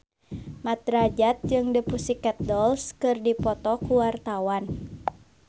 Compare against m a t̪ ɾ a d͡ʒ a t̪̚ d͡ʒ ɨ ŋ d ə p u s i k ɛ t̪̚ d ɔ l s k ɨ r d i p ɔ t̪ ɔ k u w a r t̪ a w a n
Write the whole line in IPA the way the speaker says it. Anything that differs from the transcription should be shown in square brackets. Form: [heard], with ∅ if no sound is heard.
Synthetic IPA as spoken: m a t̪ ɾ a d͡ʒ a t̪̚ d͡ʒ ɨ ŋ d ə p u s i k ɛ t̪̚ d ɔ l s k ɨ r d i p ɔ t̪ ɔ k u w a r t̪ a w a n

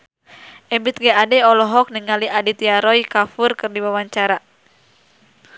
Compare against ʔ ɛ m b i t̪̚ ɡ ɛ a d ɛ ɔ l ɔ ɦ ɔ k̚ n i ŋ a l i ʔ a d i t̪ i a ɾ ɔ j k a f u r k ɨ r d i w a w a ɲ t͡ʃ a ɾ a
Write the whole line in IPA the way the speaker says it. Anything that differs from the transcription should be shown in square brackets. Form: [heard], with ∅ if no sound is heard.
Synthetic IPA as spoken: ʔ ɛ m b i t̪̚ ɡ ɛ a d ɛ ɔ l ɔ ɦ ɔ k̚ n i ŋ a l i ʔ a d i t̪ i a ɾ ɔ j k a f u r k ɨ r d i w a w a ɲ t͡ʃ a ɾ a

